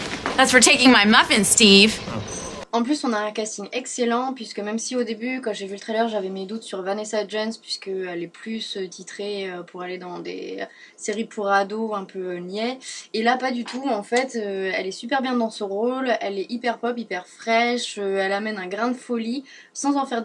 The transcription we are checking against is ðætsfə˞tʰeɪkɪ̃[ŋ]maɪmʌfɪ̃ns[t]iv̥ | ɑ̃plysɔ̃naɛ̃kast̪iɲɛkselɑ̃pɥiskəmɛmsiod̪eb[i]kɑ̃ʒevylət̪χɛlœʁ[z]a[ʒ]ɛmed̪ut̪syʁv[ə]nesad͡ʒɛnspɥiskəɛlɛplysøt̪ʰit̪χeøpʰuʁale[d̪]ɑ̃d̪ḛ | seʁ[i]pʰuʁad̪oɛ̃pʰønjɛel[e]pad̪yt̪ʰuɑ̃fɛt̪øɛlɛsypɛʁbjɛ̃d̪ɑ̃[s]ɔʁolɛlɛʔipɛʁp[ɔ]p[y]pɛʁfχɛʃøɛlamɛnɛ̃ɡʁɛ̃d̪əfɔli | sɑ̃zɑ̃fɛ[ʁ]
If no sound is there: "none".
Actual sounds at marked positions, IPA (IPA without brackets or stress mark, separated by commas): ŋ, t, y, ʒ, v, a, d̪, i, a, s, ɔ, i, ʁ